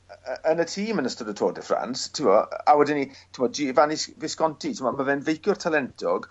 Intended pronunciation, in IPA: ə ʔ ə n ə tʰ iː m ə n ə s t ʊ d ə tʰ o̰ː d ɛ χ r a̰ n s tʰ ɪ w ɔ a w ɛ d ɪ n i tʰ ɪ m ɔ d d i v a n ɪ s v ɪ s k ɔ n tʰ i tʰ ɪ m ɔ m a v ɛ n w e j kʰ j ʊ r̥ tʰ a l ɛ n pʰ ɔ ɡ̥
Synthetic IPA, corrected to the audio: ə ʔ ə n ə tʰ iː m ə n ə s t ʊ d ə tʰ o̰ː d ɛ f r a̰ n s tʰ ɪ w ɔ a w ɛ d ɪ n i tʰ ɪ m ɔ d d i v a n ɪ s v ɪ s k ɔ n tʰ i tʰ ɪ m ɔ m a v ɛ n v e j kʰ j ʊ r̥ tʰ a l ɛ n tʰ ɔ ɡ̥